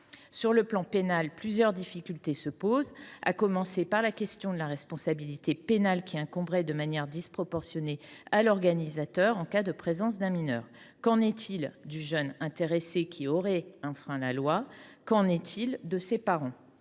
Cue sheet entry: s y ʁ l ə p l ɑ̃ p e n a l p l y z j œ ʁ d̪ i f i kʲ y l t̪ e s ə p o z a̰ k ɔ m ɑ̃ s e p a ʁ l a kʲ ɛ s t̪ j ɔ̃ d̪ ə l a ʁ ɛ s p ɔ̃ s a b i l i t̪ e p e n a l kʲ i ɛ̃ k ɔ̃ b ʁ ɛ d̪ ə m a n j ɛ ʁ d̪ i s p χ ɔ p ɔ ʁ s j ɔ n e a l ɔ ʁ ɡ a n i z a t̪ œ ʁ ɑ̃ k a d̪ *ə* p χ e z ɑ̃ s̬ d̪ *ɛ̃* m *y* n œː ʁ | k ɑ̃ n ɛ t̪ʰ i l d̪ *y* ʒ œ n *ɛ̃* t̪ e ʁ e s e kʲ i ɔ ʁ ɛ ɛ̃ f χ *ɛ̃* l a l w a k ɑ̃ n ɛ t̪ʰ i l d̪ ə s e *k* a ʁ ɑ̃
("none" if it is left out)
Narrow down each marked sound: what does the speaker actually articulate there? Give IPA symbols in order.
ə, ɛ̃, i, y, ɛ̃, ɛ̃, p

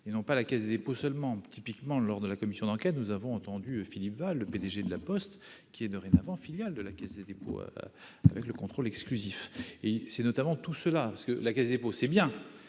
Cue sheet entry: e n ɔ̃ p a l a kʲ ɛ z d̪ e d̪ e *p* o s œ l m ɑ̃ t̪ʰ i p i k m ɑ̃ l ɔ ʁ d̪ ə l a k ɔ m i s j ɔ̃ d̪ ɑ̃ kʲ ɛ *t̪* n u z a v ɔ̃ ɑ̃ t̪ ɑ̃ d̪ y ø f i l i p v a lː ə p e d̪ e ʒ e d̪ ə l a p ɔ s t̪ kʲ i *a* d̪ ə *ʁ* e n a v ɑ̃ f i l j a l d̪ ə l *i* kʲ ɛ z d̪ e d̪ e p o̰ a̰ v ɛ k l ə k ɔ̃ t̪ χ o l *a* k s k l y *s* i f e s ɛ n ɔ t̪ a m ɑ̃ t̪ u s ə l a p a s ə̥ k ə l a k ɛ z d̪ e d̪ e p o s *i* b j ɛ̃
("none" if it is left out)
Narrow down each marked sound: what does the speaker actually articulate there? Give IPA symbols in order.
p, t̪, ɛ, ʁ, a, ɛ, z, ɛ

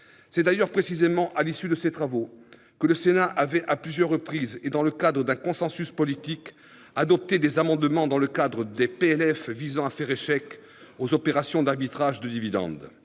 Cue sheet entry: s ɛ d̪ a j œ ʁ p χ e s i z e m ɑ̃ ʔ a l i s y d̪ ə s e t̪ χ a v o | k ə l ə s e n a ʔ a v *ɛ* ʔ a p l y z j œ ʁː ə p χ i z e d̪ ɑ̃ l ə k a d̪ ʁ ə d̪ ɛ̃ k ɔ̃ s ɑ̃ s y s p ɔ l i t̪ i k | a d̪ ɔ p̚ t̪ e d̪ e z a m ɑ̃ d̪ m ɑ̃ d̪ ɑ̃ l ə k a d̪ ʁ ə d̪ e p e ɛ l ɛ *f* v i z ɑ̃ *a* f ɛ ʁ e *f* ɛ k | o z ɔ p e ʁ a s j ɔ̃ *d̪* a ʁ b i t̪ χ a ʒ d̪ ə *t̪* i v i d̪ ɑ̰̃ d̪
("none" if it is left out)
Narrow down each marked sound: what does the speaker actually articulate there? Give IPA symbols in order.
ɛ, f, a, ʃ, d̪, d̪

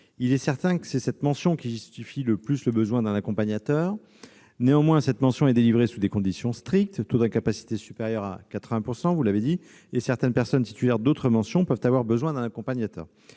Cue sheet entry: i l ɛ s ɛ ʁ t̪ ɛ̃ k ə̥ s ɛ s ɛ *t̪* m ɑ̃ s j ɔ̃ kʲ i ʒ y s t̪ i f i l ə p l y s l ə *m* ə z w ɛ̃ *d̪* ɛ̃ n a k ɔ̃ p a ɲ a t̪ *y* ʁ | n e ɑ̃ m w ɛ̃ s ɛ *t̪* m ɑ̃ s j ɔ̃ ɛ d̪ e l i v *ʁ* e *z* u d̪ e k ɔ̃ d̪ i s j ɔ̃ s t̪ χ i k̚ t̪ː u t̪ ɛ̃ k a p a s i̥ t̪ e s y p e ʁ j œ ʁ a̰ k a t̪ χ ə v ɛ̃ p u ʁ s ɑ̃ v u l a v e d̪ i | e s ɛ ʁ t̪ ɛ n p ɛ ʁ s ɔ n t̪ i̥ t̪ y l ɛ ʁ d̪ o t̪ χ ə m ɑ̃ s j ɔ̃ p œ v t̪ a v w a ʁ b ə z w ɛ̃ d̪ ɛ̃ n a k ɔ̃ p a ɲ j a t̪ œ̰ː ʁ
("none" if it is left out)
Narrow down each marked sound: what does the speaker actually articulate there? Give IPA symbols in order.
t̪, b, d̪, œ, t̪, ʁ, s

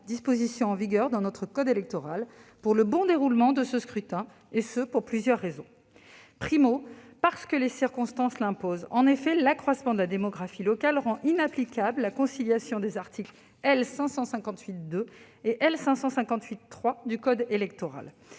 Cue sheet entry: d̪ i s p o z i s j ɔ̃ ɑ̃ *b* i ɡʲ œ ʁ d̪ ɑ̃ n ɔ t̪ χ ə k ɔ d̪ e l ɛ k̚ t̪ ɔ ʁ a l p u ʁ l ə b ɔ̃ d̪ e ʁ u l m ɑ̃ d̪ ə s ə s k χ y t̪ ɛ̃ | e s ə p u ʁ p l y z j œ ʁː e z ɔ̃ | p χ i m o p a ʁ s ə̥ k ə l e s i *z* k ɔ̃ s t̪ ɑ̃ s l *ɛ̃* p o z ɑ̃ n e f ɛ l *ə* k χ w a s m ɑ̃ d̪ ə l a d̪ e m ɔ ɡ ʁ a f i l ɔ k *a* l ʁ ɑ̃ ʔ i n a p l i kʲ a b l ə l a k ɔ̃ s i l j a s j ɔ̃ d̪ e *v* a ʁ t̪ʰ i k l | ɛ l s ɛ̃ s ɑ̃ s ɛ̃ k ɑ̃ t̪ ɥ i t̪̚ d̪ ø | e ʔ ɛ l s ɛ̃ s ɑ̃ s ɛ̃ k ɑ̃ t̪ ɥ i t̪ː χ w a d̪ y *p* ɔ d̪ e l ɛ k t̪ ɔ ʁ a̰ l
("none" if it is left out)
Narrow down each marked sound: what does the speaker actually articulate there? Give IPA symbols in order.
v, ʁ, ɛ̃, a, a, z, k

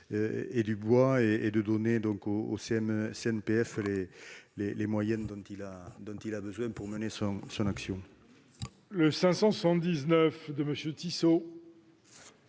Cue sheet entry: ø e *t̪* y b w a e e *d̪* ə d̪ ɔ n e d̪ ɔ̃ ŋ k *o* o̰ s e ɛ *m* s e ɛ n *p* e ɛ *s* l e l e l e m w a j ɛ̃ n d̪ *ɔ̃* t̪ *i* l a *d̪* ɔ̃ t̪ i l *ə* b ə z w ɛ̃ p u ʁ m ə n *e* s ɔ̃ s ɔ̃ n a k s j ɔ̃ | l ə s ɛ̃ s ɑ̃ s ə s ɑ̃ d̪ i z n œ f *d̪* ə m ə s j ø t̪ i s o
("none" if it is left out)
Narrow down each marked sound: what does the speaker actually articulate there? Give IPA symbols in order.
d̪, d̪, o, m, p, f, ɔ̃, i, d̪, a, e, d̪

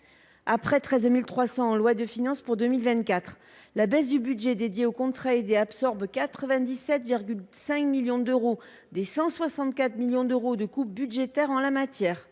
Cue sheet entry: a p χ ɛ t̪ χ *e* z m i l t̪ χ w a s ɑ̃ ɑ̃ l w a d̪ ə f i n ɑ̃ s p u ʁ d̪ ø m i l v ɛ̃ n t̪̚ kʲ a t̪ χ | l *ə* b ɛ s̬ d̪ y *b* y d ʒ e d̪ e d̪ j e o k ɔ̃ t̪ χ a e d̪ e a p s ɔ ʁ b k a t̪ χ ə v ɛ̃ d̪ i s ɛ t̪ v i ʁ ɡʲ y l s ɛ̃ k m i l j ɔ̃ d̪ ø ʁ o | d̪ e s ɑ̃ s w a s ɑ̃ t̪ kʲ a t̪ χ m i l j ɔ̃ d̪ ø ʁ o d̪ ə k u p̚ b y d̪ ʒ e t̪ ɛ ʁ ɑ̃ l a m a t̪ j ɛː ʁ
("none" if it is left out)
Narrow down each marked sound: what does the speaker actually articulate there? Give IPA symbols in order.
ɛ, a, b

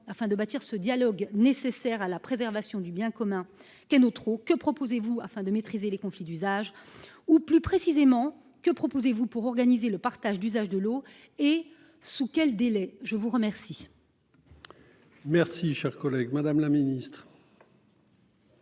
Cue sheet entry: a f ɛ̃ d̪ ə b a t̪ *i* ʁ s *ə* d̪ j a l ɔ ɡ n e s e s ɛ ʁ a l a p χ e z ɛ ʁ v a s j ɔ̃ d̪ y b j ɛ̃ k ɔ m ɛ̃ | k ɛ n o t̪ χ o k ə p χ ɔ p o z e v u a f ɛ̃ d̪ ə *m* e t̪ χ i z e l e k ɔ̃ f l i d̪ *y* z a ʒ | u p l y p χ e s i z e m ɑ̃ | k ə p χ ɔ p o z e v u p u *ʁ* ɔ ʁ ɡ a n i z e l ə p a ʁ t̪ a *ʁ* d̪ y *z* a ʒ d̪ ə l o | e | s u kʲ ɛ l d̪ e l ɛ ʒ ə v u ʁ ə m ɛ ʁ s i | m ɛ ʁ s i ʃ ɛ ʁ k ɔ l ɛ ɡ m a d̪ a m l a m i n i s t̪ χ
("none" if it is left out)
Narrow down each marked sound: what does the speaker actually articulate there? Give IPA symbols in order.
i, ə, m, y, ʁ, ʒ, z

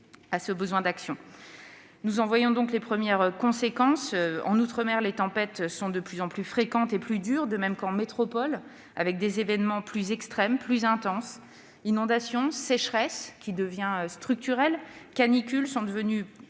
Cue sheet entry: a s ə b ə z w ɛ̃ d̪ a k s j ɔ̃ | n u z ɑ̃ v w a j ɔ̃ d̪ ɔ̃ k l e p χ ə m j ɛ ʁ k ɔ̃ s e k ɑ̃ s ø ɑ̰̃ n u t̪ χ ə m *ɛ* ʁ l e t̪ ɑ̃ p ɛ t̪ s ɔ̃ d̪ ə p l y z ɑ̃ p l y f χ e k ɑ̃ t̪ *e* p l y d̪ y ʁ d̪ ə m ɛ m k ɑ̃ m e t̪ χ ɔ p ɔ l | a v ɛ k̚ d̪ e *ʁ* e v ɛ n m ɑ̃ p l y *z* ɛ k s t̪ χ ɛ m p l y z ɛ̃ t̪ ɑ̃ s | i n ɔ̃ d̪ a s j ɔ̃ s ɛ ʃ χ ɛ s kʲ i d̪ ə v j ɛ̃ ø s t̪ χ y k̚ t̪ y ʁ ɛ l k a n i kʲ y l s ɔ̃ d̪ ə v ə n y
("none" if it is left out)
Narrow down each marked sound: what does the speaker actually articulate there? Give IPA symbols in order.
ɛ, e, z, z

